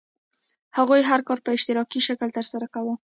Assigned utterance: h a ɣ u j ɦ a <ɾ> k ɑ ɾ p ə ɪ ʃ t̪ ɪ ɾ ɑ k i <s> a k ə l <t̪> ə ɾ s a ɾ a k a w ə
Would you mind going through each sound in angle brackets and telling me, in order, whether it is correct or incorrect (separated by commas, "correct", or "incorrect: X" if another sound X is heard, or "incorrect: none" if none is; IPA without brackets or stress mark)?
correct, incorrect: ʃ, correct